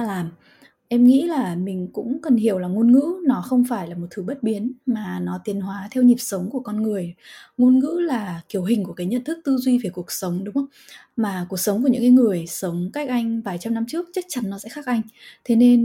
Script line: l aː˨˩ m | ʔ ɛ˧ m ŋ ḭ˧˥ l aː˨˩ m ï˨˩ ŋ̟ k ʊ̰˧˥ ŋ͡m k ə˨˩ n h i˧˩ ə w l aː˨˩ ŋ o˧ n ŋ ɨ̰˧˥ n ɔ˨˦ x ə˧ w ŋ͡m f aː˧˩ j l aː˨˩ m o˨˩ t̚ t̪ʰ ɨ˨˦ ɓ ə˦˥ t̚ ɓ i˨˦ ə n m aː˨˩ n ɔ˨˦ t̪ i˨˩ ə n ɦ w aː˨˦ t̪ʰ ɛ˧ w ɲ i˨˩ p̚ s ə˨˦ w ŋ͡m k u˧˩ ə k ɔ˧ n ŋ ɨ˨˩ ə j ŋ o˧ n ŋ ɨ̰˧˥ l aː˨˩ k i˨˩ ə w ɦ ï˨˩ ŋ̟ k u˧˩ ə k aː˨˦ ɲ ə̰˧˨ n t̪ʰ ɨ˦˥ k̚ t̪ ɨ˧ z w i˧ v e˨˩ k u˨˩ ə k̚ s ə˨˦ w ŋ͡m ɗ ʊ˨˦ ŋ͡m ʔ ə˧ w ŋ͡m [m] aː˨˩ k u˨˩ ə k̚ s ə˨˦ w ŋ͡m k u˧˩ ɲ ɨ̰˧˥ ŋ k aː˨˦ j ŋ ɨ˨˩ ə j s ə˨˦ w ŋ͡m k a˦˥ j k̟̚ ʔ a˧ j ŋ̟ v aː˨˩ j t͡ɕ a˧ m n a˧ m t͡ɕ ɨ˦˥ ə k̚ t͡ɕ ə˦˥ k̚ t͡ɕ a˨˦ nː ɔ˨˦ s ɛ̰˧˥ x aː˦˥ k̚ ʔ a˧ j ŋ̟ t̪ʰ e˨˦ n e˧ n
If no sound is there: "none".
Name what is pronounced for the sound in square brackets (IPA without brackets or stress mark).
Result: m